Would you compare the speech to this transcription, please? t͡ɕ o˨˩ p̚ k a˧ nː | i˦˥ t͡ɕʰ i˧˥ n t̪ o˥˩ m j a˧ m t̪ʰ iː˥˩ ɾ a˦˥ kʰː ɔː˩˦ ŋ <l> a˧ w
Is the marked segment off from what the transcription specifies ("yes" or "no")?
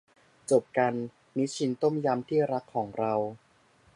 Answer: yes